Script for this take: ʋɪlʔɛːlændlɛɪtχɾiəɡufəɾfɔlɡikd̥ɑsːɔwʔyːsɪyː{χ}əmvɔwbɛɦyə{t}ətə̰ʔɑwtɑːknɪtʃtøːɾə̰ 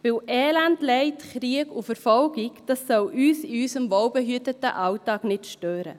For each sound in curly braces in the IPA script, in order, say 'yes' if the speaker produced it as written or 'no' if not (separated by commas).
no, yes